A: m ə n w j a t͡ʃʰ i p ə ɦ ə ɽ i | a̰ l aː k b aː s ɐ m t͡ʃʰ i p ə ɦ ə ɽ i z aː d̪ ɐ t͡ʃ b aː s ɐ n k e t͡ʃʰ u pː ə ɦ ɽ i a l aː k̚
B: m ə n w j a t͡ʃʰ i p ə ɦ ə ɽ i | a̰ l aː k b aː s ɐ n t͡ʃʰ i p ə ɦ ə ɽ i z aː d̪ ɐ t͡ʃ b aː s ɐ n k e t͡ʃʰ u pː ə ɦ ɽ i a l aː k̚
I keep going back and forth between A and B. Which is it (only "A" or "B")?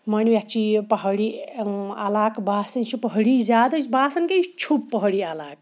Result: B